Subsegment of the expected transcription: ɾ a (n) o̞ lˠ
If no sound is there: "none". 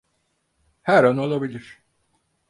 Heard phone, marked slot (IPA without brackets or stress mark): n